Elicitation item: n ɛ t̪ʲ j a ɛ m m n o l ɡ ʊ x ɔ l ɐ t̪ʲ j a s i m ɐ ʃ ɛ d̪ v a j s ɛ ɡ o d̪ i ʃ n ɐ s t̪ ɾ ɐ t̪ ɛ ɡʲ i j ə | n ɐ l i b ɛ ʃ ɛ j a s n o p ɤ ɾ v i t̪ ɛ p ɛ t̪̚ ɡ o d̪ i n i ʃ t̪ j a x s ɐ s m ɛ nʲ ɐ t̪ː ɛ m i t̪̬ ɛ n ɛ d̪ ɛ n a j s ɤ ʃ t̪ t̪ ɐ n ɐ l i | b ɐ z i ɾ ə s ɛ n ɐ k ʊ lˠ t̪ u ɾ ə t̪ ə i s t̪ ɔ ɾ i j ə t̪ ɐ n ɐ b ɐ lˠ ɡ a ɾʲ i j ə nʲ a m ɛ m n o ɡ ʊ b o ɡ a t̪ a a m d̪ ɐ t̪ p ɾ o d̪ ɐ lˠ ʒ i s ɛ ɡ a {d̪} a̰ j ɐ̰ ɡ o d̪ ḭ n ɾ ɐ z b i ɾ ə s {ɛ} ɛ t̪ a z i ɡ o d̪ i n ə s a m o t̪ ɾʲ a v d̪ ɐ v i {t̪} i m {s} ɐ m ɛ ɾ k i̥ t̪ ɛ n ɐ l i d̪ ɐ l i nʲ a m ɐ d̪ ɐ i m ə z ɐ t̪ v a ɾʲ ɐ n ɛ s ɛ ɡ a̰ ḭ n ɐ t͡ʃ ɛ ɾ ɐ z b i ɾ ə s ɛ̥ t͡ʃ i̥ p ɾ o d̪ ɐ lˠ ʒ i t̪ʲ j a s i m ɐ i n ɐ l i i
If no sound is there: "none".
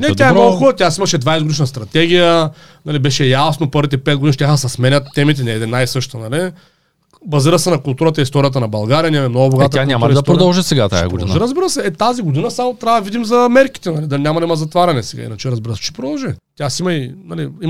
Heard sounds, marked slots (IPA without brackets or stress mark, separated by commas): t̪, ɛ, d̪, z